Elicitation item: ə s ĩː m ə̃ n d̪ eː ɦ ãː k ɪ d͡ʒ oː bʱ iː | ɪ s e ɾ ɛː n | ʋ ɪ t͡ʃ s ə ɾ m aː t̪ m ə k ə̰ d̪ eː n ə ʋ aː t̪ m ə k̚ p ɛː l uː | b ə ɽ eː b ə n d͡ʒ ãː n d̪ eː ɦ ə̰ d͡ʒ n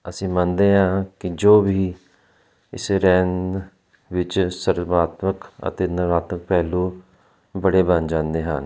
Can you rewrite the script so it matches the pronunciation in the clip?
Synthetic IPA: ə s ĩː m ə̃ n d̪ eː ɦ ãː k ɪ d͡ʒ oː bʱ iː | ɪ s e ɾ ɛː n | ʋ ɪ t͡ʃ s ə ɾ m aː t̪ m ə k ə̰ t̪ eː n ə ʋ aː t̪ m ə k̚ p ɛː l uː | b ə ɽ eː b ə n d͡ʒ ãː n d̪ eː ɦ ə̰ n